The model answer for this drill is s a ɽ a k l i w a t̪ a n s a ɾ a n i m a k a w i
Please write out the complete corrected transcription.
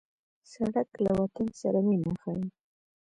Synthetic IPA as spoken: s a ɽ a k l a w a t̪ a n s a ɾ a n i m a x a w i